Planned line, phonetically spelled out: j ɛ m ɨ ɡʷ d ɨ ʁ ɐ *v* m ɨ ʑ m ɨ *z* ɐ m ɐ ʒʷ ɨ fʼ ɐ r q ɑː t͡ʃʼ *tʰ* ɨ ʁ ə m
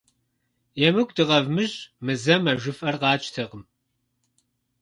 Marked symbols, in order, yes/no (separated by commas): yes, yes, yes